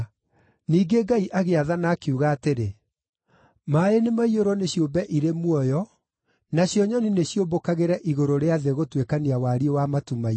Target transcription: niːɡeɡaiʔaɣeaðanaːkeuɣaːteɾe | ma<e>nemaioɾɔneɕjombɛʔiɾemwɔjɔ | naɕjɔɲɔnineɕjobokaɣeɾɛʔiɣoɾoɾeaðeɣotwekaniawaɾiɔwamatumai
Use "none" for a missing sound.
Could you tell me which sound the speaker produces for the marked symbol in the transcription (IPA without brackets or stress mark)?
e